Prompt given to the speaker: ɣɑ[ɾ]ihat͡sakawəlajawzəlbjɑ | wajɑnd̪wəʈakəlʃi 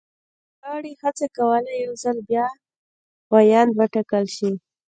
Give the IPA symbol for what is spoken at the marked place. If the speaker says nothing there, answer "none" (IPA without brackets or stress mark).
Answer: ɽ